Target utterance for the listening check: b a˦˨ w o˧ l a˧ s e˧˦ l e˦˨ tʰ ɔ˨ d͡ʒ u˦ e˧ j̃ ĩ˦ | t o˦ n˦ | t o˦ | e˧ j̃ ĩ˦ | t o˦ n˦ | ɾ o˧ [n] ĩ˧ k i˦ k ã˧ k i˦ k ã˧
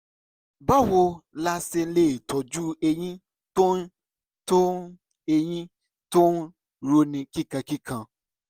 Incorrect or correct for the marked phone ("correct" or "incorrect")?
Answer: correct